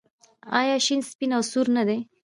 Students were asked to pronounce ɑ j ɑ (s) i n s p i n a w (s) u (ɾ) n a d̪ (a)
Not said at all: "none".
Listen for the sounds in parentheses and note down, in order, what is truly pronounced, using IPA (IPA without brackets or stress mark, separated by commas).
ʃ, s, ɾ, e